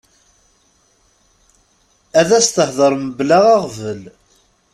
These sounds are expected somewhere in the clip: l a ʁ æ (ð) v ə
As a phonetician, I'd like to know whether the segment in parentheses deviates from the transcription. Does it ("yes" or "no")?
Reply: yes